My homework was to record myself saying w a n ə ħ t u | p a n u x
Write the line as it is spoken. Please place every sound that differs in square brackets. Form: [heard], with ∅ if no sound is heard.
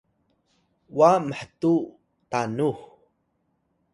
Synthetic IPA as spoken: w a [m] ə ħ t u | [t] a n u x